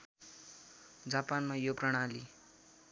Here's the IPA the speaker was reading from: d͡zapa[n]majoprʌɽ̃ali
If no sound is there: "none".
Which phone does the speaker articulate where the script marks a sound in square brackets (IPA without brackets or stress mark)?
n